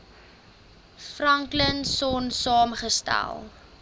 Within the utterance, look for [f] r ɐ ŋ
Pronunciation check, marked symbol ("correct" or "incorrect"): correct